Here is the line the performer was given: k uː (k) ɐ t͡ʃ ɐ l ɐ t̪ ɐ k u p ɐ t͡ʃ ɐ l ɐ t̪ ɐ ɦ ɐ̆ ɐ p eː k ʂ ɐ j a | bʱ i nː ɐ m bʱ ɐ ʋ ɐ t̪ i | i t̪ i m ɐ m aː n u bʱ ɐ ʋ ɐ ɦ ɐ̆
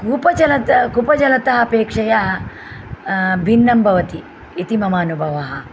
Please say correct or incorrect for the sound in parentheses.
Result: incorrect